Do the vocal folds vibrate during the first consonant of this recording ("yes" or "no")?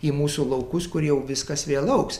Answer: yes